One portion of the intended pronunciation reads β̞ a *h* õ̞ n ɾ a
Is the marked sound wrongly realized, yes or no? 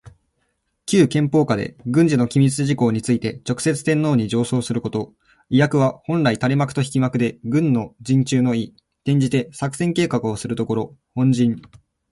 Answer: no